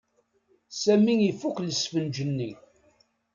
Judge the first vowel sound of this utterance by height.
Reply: low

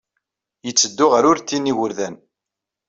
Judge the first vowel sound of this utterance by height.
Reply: mid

